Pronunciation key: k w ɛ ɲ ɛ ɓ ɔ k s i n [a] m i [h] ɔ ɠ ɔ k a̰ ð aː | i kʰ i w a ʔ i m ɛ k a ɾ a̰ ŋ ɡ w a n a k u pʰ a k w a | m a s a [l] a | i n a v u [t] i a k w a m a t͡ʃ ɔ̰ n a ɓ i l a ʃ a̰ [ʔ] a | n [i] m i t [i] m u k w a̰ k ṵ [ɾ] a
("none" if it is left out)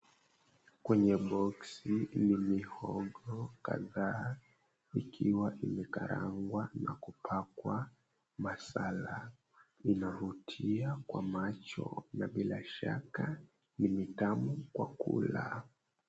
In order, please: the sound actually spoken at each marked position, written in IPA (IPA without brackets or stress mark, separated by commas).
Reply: i, h, l, tʰ, k, i, a, l